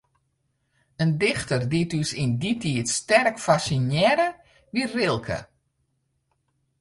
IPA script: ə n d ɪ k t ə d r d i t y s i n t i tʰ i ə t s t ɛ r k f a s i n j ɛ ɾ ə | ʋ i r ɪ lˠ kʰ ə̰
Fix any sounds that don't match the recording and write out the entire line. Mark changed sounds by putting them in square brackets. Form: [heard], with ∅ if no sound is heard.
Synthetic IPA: ə n d ɪ [x] t ə [∅] r d i t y s i n [d] i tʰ i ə t s t ɛ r k f a s i n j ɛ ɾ ə | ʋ i r ɪ lˠ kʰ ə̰